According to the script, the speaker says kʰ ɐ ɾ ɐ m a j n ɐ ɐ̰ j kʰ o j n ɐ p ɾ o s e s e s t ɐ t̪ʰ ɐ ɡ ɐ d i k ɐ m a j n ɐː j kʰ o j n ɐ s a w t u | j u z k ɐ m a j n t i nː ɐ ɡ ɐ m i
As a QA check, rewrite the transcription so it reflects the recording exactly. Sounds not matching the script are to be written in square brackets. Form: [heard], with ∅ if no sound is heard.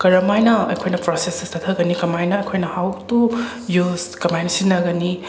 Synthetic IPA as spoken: [k] ɐ ɾ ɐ m a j n ɐ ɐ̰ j kʰ o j n ɐ p ɾ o s e s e s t ɐ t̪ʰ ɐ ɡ ɐ [n] i k ɐ m a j n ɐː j kʰ o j n ɐ [h] a w t u | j u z k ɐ m a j n [s] i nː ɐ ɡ ɐ [n] i